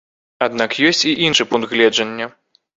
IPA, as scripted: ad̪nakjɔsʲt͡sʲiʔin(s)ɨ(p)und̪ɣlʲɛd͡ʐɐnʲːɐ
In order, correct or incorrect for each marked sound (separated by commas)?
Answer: incorrect, correct